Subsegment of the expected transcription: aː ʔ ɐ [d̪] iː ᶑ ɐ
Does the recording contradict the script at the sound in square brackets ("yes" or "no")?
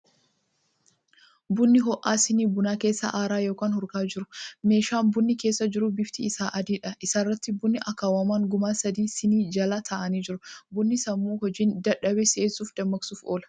no